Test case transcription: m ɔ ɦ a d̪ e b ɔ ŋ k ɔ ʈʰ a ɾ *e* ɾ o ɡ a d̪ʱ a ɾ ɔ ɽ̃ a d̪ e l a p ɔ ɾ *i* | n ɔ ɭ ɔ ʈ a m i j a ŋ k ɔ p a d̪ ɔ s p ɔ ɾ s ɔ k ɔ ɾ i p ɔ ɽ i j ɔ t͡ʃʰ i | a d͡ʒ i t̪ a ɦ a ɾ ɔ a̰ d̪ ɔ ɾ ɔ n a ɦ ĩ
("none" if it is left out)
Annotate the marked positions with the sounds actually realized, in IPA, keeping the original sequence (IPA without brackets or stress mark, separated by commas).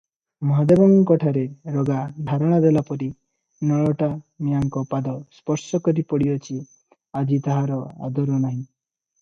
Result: e, i